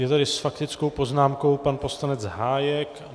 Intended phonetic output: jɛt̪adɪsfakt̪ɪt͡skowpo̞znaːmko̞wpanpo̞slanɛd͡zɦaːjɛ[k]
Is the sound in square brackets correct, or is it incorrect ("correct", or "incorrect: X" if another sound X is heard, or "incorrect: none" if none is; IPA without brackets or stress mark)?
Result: correct